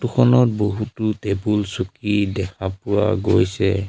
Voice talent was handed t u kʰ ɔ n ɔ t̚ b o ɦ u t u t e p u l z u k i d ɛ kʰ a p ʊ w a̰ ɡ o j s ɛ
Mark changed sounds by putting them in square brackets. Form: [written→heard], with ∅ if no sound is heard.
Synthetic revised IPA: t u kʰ ɔ n ɔ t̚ b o ɦ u t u t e [p→b] u l [z→s] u k i d ɛ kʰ a p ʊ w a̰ ɡ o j s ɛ